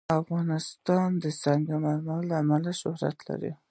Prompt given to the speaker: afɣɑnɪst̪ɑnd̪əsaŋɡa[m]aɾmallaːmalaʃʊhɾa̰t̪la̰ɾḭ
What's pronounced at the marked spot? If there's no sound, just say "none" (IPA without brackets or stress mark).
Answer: m